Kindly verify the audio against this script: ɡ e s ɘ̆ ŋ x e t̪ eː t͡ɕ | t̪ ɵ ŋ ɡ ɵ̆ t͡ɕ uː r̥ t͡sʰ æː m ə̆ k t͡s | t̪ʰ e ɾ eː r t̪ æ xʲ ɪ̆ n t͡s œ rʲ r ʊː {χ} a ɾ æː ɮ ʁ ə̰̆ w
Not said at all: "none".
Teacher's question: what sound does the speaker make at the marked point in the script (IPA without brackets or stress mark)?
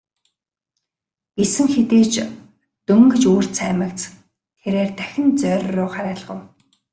χ